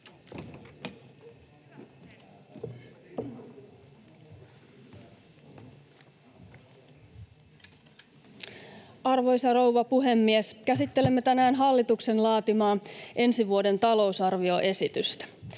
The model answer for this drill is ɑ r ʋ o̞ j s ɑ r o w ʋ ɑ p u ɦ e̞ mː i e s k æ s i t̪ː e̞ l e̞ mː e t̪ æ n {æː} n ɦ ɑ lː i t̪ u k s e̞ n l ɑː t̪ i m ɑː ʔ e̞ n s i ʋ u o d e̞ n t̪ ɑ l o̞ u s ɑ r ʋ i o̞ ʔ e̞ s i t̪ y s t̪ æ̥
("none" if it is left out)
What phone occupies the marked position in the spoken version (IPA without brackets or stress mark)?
æː